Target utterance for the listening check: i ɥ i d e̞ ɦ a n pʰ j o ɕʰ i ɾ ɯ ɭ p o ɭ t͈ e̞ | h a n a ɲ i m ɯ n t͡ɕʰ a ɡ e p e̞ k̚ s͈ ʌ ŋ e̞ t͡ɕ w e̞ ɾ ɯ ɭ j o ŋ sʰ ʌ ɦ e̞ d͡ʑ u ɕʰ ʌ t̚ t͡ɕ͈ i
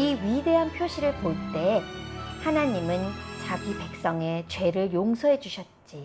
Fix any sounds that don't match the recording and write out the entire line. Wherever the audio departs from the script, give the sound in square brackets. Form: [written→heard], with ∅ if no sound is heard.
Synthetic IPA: i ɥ i d e̞ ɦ a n pʰ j o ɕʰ i ɾ ɯ ɭ p o ɭ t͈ e̞ | h a n a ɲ i m ɯ n [t͡ɕʰ→t͡ɕ] a ɡ [e→i] p e̞ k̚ s͈ ʌ ŋ e̞ t͡ɕ w e̞ ɾ ɯ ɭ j o ŋ sʰ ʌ ɦ e̞ d͡ʑ u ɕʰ ʌ t̚ t͡ɕ͈ i